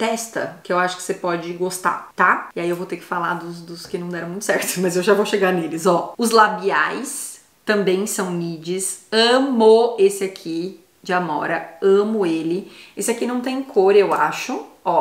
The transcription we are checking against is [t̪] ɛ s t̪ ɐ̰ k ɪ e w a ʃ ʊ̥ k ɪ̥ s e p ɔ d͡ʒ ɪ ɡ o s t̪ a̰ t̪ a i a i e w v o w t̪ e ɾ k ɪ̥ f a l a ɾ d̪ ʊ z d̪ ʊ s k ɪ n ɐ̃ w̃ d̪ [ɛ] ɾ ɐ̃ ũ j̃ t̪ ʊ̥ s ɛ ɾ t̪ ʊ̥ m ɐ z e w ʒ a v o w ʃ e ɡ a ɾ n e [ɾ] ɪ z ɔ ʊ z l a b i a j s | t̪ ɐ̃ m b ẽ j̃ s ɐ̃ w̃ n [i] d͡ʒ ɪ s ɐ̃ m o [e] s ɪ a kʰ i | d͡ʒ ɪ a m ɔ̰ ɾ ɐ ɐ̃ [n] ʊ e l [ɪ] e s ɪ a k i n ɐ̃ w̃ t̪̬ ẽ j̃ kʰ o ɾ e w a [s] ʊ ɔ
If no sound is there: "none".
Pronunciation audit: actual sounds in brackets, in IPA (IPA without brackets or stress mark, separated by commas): t̪, ɛ, l, i, e, m, ɪ, ʃ